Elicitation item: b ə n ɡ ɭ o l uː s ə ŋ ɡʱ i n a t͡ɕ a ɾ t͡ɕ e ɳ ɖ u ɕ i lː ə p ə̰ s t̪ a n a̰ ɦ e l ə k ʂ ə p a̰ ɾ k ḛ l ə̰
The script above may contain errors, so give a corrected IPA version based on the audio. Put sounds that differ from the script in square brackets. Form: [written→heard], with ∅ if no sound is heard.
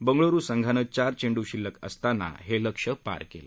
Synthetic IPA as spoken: b ə [n→ŋ] ɡ ɭ o [l→ɾ] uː s ə ŋ ɡʱ [i→a] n [a→ə] t͡ɕ a ɾ t͡ɕ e ɳ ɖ u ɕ i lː ə [p→k] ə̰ s t̪ a n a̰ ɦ e l ə k ʂ ə p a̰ ɾ k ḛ l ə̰